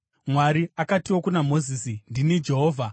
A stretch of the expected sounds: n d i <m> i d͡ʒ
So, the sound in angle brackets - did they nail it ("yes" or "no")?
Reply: no